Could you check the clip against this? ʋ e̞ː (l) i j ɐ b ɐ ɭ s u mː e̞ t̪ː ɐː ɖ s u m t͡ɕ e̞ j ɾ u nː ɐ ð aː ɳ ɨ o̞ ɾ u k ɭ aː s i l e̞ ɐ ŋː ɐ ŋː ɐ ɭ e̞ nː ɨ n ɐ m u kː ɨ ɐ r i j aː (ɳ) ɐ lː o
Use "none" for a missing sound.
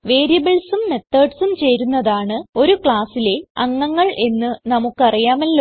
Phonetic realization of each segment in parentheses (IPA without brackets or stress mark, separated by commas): ɾ, m